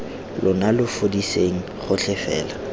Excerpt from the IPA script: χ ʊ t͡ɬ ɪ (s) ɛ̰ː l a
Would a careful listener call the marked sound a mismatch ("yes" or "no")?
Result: yes